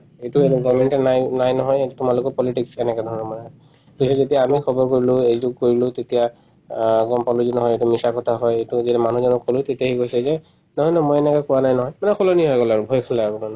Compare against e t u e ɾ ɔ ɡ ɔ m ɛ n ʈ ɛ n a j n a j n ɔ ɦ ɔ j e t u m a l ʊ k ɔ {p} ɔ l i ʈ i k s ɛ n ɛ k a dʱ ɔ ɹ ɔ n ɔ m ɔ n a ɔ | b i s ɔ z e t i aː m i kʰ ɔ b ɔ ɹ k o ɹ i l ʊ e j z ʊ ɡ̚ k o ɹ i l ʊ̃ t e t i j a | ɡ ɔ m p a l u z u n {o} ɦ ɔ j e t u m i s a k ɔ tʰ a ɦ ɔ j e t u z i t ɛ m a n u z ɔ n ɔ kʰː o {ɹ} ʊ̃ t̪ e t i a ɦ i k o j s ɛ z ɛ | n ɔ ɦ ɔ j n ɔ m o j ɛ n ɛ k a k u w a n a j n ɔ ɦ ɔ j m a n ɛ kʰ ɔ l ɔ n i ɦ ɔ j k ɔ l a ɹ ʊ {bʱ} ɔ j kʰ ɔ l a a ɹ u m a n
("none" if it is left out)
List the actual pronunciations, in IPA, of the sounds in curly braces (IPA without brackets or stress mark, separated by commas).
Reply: p, ɔ, l, bʱ